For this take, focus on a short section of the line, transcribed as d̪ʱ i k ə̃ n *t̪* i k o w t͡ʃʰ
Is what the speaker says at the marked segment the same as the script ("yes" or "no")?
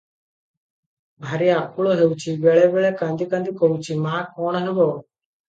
no